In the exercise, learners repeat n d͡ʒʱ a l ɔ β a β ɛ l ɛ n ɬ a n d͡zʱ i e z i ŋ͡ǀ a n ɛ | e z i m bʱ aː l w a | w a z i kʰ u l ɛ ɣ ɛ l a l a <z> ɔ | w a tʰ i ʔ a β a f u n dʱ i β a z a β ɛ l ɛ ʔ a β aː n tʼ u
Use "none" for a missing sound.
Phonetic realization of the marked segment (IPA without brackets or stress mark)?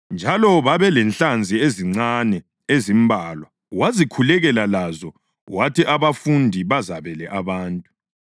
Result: z